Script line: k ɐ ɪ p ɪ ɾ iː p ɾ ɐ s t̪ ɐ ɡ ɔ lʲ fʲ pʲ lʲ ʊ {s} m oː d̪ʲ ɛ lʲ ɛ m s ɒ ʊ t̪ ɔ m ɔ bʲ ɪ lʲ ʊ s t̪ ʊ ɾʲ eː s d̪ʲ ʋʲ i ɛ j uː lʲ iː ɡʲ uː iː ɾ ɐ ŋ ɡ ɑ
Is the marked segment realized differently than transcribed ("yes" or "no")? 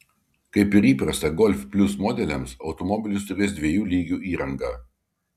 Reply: no